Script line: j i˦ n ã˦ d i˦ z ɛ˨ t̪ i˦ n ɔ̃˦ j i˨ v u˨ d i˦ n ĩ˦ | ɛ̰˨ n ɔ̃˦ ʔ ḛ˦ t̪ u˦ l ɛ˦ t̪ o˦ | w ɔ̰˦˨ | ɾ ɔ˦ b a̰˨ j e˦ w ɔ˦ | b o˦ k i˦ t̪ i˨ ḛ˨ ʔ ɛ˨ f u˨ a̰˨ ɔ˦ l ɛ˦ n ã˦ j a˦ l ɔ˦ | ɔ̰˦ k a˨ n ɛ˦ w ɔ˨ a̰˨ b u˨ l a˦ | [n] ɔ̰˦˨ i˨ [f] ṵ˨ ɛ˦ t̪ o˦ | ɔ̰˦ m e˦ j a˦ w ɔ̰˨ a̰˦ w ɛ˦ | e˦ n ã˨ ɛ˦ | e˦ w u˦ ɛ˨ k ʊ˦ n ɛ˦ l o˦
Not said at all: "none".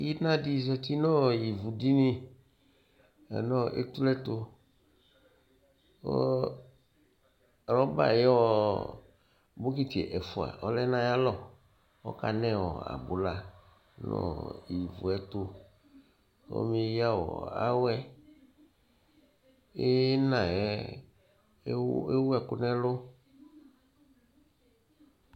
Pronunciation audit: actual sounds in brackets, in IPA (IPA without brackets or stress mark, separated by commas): n, v